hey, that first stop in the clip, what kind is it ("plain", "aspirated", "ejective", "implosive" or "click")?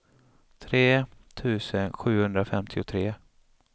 aspirated